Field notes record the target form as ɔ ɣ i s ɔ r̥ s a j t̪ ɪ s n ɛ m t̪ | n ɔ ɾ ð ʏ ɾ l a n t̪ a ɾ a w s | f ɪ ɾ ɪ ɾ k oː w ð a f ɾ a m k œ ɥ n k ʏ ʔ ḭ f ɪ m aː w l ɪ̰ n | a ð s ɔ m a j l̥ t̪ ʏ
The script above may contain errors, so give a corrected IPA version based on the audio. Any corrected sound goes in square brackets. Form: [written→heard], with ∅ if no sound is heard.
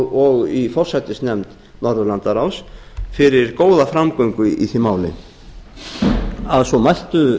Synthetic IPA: ɔ ɣ i [s→f] ɔ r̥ s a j t̪ ɪ s n ɛ m t̪ | n ɔ ɾ ð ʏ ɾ l a n t̪ a ɾ a w s | f ɪ ɾ ɪ ɾ k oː w ð a f ɾ a m k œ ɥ [n→ŋ] k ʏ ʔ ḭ [f→θ] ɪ m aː w l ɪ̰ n | a ð s ɔ m a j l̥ t̪ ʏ